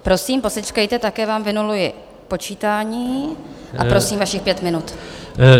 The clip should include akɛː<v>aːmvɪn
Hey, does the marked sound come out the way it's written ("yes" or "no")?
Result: yes